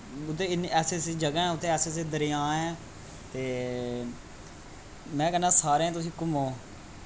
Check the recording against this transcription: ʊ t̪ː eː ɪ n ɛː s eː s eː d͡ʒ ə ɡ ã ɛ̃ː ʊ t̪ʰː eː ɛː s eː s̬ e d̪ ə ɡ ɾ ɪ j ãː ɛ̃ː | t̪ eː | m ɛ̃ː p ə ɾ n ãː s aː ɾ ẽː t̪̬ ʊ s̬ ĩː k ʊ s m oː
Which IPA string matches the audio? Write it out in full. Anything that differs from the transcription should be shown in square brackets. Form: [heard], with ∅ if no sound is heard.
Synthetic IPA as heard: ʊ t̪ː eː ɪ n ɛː s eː s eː d͡ʒ ə ɡ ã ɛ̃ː ʊ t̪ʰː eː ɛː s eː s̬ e d̪ ə [∅] ɾ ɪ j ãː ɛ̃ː | t̪ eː | m ɛ̃ː [k] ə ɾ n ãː s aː ɾ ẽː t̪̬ ʊ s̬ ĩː k ʊ [∅] m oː

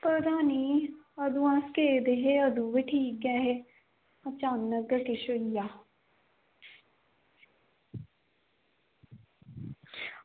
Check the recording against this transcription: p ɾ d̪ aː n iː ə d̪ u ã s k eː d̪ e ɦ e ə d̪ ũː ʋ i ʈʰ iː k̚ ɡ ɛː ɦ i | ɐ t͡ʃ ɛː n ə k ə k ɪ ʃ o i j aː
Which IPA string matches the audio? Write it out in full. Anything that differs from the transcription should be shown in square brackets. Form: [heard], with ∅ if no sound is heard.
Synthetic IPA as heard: p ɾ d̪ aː n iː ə d̪ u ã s k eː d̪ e ɦ e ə d̪ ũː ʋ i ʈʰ iː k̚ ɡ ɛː ɦ [e] | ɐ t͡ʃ [aː] n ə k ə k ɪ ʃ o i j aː

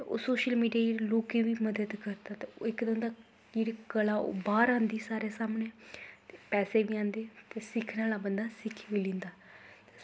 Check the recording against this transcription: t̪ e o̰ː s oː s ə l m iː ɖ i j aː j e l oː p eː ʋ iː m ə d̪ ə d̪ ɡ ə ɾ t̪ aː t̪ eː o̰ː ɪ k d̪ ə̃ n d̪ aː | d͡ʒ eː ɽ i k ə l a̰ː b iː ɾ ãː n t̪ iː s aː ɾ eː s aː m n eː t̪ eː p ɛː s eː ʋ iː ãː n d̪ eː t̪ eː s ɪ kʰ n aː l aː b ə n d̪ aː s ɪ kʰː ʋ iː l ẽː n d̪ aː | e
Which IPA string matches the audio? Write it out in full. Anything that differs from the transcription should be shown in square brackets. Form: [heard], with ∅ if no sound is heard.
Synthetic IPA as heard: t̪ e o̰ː s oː [ʃ] ə l m iː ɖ i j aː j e l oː [k] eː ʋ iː m ə d̪ ə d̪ [k] ə ɾ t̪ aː t̪ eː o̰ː ɪ k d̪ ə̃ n d̪ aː | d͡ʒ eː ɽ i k ə l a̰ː b [aː] ɾ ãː n [d̪] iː s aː ɾ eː s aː m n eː t̪ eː p ɛː s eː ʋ iː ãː n d̪ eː t̪ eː s ɪ kʰ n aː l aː b ə n d̪ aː s ɪ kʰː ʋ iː l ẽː n d̪ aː | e

